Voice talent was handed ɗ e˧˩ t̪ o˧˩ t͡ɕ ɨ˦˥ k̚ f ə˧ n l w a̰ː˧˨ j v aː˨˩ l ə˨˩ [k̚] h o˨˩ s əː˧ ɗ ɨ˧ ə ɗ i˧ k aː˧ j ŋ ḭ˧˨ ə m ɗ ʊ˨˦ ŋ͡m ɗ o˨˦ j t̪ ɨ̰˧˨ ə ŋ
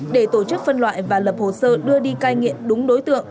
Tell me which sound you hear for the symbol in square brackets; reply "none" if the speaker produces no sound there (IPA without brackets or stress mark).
p̚